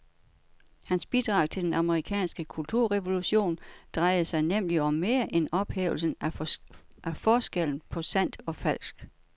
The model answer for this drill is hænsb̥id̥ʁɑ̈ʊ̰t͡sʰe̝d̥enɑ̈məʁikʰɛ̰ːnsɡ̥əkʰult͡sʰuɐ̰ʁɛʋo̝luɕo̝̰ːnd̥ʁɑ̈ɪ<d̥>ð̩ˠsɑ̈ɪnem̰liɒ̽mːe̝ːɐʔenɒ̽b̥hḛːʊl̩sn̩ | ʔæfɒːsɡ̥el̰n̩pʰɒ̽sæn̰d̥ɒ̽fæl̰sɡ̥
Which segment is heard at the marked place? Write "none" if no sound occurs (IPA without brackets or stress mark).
none